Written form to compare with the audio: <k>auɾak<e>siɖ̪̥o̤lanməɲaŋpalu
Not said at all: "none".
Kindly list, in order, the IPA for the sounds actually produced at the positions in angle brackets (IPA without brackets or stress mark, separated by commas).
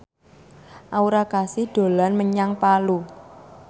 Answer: ʔ, a